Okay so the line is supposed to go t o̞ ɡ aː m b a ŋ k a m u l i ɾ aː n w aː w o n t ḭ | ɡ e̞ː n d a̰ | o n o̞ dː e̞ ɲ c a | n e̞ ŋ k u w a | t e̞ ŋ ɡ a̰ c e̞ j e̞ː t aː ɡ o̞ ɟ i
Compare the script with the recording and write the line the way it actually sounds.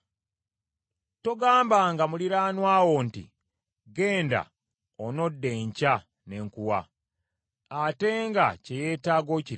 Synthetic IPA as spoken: t o̞ ɡ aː m b a ŋ ɡ a m u l i ɾ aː n w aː w o n t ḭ | ɡ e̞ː n d a̰ | o n o̞ dː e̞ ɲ c a | n e̞ ŋ k u w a | t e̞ ŋ ɡ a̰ c e̞ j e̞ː t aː ɡ o̞ c i